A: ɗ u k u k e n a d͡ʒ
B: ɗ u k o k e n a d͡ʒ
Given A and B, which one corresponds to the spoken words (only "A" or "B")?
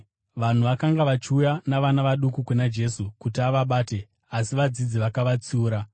A